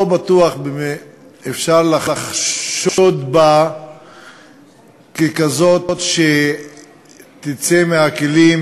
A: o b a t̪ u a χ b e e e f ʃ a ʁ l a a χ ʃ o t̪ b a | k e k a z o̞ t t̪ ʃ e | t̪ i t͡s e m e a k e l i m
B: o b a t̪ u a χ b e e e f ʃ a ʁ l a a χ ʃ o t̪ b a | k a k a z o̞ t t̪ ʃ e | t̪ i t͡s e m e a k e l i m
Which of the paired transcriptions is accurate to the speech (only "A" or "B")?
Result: A